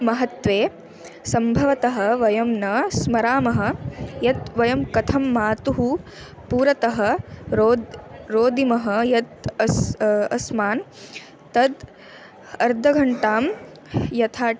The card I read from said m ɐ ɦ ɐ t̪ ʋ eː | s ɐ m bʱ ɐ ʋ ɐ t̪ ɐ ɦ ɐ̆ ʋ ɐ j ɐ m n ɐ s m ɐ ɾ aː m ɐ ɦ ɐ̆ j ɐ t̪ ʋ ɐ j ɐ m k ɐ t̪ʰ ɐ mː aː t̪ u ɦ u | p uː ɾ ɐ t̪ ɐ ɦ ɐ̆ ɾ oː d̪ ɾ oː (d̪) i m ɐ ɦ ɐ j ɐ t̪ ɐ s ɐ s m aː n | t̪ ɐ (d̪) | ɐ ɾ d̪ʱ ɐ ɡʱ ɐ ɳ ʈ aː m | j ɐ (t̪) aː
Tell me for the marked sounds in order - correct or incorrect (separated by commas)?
correct, correct, incorrect